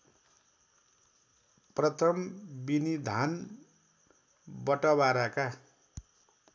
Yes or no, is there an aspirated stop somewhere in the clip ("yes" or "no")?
yes